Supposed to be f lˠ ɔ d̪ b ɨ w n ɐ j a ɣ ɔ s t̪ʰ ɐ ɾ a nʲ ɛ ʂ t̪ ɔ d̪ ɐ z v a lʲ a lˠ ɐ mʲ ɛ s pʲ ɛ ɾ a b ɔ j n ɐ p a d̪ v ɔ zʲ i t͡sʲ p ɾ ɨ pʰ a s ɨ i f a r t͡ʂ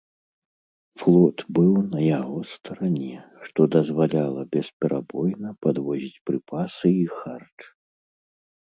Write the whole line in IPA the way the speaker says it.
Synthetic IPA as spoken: f lˠ ɔ t̪ b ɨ w n ɐ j a ɣ ɔ s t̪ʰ ɐ ɾ a nʲ ɛ ʂ t̪ ɔ d̪ ɐ z v a lʲ a lˠ ɐ bʲ ɛ s pʲ ɛ ɾ a b ɔ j n ɐ p a d̪ v ɔ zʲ i t͡sʲ p ɾ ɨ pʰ a s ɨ i x a r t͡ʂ